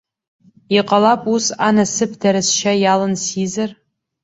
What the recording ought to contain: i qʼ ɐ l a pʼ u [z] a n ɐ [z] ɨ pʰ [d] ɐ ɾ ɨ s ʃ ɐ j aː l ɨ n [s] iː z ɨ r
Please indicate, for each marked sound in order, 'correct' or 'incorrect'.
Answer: incorrect, incorrect, correct, correct

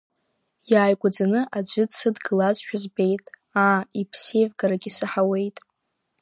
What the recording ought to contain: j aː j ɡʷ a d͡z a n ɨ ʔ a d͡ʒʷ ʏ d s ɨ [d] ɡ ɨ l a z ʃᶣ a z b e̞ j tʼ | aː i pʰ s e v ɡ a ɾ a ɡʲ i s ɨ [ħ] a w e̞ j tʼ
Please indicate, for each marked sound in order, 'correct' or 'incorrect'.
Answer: correct, correct

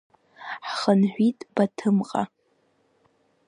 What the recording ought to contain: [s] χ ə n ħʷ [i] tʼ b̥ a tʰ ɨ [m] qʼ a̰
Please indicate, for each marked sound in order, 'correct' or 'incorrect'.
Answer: incorrect, correct, correct

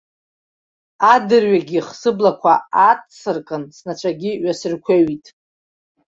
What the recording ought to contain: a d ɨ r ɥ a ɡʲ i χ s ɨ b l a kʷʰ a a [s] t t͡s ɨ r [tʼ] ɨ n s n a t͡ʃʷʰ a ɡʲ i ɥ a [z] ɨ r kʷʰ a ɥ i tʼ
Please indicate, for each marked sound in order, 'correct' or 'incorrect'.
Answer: incorrect, incorrect, incorrect

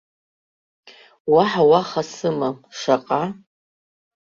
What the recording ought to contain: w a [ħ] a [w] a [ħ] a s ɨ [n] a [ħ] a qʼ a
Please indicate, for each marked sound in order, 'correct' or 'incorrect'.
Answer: correct, correct, incorrect, incorrect, incorrect

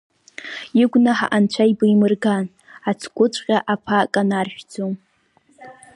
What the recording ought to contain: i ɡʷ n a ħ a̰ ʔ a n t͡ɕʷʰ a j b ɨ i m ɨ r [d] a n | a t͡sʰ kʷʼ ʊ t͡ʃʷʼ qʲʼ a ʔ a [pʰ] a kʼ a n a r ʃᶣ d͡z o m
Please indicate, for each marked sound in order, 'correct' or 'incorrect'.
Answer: incorrect, correct

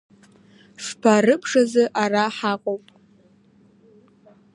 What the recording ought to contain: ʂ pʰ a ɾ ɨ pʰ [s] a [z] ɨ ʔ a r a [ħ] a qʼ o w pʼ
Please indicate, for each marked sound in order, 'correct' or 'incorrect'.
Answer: incorrect, correct, correct

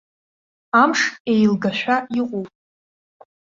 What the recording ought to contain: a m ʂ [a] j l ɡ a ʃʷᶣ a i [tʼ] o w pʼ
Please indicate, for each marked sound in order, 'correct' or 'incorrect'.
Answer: incorrect, incorrect

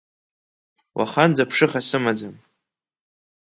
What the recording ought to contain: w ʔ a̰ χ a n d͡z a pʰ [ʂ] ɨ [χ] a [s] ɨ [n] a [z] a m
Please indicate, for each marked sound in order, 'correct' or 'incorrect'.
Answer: correct, correct, correct, incorrect, incorrect

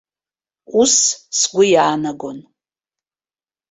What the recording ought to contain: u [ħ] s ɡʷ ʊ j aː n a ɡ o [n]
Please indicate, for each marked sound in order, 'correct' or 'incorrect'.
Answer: incorrect, correct

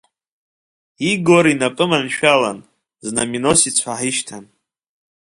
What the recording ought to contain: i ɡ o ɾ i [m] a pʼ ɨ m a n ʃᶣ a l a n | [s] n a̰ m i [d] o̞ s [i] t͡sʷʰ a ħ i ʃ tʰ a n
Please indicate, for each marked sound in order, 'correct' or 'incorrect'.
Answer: incorrect, incorrect, incorrect, correct

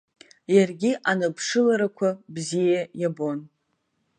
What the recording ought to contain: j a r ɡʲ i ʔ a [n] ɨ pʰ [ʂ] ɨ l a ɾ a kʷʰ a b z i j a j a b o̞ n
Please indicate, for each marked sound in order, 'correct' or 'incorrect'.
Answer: correct, correct

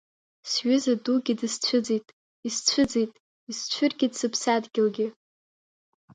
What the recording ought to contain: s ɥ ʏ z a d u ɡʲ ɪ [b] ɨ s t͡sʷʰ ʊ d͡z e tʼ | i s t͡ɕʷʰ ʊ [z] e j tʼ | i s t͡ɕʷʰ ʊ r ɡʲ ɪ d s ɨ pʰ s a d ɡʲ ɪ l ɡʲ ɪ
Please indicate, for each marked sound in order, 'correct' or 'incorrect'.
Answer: incorrect, incorrect

